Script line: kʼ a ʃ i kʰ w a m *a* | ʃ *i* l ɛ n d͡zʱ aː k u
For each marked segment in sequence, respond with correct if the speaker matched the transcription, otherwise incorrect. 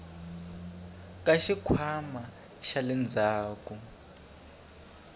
correct, incorrect: a

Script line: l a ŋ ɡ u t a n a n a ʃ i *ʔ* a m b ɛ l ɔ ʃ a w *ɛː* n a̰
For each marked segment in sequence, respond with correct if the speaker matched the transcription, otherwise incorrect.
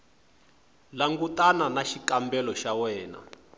incorrect: k, correct

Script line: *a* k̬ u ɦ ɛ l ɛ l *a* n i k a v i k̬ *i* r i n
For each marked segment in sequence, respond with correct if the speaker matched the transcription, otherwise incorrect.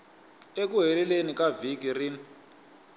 incorrect: e, incorrect: e, correct

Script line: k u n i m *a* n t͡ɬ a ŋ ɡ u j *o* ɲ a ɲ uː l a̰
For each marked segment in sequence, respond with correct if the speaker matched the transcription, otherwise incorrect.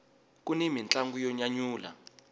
incorrect: i, incorrect: ɔ

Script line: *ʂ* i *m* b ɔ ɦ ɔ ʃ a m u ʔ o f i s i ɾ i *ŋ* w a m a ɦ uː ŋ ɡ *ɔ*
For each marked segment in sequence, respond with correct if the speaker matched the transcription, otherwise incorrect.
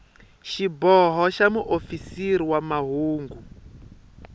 incorrect: ʃ, incorrect: none, incorrect: none, incorrect: u

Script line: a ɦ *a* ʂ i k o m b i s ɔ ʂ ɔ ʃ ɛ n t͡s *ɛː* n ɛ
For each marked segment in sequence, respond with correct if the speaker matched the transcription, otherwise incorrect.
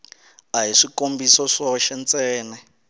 incorrect: i, correct

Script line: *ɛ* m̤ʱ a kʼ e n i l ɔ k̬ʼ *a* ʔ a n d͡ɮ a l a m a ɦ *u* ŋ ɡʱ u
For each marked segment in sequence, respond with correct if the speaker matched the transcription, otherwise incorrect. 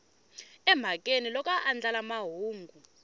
correct, correct, incorrect: uː

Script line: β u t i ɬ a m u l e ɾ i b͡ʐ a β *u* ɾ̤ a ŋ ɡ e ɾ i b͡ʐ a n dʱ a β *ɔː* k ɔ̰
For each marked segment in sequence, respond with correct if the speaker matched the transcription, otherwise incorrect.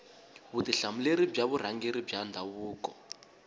correct, incorrect: uː

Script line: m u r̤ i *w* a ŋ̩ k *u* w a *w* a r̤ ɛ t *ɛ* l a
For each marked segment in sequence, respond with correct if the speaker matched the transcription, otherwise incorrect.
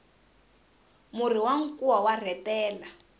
correct, correct, correct, incorrect: ɛː

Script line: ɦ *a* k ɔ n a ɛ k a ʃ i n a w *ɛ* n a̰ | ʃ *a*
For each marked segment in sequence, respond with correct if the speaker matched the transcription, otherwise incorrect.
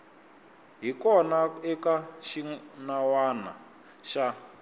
incorrect: i, incorrect: a, correct

